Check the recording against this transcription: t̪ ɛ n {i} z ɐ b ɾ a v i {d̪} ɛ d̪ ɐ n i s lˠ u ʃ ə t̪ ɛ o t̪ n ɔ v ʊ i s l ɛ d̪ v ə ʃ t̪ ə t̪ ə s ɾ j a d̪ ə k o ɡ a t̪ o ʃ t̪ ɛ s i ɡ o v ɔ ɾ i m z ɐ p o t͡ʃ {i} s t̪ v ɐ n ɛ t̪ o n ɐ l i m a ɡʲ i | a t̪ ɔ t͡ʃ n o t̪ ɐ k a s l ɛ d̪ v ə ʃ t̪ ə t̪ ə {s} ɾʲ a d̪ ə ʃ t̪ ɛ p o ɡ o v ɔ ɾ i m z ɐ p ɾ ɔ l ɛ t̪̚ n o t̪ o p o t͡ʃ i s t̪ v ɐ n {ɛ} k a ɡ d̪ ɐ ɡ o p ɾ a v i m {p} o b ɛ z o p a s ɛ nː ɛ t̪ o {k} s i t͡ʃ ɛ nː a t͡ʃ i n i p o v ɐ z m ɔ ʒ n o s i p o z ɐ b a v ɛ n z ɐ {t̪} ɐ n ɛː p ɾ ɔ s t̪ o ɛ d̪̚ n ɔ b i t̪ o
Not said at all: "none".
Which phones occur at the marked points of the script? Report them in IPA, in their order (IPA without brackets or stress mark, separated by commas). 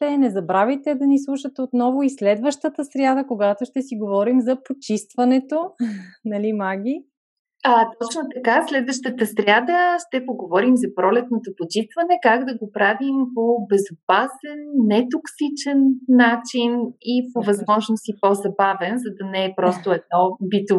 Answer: ɛ, t̪, i, s, ɛ, p, k, d̪